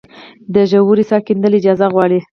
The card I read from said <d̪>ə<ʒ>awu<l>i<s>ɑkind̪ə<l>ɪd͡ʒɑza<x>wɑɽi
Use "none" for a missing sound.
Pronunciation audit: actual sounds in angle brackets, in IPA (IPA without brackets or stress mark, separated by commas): d̪, ʒ, ɾ, s, l, ɣ